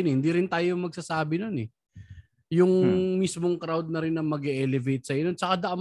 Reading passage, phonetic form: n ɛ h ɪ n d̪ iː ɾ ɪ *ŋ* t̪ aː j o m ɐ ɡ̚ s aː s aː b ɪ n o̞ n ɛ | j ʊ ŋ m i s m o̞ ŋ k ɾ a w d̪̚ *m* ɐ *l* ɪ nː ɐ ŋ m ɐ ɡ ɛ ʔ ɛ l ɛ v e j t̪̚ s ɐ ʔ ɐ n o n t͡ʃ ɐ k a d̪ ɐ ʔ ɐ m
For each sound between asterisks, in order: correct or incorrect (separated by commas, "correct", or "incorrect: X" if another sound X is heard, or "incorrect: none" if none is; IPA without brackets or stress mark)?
incorrect: n, incorrect: n, incorrect: ɾ